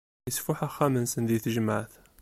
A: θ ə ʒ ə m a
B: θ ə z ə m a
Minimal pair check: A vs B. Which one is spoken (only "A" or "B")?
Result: A